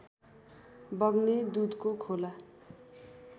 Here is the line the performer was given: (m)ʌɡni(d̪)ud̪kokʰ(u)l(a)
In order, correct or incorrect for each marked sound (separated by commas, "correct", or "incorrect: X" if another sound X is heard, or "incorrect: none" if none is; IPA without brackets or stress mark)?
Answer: incorrect: b, correct, incorrect: o, correct